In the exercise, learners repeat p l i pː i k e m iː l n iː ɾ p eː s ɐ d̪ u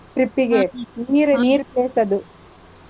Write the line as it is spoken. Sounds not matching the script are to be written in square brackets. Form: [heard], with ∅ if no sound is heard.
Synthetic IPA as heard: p [ɾ] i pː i [ɡ] e [n] iː [ɾ] n iː ɾ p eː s ɐ d̪ u